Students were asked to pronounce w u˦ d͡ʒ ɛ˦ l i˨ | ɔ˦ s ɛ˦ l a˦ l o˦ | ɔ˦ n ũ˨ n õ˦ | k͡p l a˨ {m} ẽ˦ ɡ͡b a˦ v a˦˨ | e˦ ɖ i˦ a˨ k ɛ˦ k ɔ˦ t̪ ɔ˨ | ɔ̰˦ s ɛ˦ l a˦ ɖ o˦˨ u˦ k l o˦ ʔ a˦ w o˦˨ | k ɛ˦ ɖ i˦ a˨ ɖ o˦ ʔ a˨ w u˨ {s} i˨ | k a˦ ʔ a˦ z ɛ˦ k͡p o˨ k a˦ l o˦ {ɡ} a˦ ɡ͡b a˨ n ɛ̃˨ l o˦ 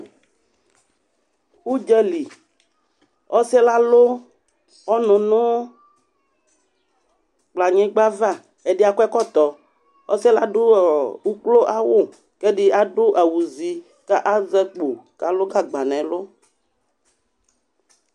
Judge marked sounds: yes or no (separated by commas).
no, no, yes